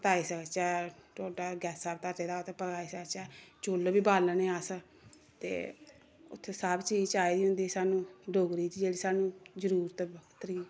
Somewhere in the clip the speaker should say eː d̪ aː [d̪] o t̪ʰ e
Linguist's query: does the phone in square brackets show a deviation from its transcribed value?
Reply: yes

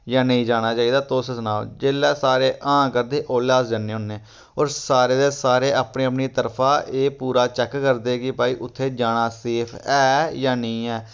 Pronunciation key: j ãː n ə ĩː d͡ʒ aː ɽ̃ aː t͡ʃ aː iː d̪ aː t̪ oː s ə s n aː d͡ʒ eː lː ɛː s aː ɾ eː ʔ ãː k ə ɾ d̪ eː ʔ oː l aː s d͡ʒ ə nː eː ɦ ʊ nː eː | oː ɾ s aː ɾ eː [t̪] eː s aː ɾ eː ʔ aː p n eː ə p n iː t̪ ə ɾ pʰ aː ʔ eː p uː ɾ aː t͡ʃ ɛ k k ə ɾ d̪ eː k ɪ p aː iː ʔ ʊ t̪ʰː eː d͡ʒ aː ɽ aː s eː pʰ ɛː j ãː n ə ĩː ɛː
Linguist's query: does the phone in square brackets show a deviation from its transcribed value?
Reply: yes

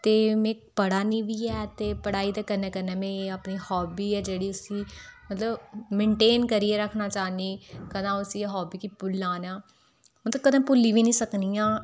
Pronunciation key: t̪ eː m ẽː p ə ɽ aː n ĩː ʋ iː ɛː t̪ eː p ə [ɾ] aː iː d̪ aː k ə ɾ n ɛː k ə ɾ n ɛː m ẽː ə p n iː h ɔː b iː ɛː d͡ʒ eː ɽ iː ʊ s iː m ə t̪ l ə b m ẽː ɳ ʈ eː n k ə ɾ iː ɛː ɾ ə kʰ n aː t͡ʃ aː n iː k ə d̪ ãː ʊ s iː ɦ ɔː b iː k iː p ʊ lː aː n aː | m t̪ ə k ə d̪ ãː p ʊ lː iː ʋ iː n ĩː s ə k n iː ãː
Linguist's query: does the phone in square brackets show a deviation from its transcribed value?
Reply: yes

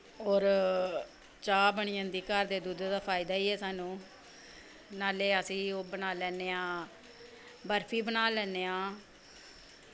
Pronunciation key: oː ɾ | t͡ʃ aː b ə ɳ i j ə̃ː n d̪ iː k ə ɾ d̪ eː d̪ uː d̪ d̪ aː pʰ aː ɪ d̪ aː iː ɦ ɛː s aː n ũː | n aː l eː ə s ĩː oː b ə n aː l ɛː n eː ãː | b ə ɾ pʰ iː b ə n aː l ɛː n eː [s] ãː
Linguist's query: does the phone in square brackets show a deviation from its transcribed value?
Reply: yes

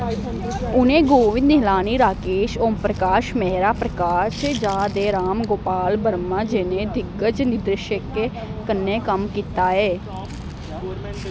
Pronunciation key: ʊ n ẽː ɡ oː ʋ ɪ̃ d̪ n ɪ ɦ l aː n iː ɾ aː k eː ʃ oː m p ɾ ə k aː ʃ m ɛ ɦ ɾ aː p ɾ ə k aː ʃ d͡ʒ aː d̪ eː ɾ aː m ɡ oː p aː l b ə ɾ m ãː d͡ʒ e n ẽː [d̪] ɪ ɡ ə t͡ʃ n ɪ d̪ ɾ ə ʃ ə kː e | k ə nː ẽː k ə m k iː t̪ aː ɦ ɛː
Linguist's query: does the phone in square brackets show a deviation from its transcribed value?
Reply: no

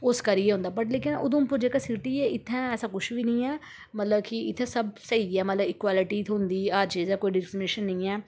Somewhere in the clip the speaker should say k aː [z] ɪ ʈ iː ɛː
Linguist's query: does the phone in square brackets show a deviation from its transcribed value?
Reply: yes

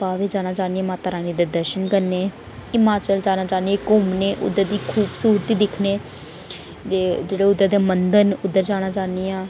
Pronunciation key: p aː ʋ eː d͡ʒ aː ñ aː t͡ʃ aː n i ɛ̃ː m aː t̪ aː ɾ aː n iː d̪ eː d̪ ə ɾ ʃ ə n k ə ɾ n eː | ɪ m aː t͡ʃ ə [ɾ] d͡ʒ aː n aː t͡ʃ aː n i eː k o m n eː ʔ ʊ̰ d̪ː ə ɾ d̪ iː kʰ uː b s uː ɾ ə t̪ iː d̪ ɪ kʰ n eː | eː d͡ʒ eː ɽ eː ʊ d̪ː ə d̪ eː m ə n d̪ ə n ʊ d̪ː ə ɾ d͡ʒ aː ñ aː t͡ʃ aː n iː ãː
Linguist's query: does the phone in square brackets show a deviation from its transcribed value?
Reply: yes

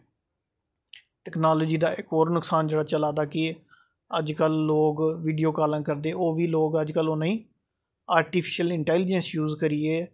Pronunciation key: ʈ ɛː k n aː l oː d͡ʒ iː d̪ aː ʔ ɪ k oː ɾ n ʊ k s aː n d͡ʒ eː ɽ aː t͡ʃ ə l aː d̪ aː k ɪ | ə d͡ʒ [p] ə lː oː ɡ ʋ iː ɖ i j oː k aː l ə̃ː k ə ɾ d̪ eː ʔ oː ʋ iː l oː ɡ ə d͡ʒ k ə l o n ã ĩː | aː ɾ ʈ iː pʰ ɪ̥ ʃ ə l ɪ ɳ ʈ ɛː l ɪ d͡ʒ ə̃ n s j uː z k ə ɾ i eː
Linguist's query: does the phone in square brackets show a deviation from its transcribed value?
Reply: yes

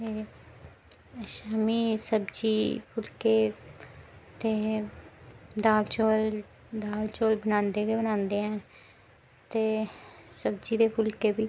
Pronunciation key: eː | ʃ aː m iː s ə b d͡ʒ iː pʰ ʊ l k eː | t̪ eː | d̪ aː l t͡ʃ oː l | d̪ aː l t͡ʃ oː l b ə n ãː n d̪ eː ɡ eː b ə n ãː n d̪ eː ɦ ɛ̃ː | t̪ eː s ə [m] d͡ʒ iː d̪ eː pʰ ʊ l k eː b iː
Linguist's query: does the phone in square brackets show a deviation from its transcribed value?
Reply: yes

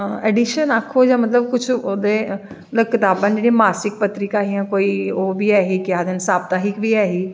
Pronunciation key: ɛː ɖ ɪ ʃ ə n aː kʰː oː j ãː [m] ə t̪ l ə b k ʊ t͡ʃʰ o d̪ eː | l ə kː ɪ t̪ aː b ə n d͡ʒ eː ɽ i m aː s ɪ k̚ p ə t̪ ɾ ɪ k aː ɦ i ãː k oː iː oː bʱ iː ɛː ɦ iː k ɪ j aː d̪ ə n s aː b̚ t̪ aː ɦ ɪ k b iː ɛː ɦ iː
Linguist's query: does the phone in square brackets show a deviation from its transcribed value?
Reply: no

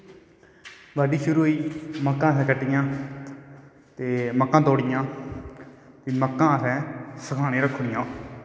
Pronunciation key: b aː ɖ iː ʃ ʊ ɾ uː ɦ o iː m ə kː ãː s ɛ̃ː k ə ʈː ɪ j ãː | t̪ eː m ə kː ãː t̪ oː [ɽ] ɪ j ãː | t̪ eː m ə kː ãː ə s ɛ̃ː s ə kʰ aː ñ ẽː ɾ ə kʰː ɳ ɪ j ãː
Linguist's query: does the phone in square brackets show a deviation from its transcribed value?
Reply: no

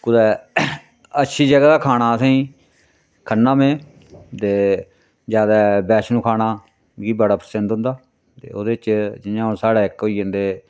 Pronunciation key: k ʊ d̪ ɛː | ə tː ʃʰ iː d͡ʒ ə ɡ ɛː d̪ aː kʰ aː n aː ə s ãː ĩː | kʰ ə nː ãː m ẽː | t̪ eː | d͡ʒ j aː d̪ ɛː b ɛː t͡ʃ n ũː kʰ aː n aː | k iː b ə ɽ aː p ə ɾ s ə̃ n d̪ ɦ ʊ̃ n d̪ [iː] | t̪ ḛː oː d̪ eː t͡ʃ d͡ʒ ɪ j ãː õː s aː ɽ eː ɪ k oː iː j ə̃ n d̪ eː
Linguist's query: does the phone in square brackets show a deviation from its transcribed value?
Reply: yes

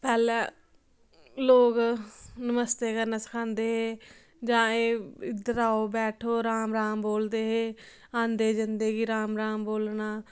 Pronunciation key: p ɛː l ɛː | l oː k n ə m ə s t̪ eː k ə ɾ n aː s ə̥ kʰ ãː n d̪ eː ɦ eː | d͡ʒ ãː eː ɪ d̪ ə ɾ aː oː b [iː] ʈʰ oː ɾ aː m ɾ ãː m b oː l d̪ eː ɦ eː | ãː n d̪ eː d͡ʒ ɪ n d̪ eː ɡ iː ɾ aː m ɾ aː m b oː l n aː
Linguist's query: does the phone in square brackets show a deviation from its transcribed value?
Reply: yes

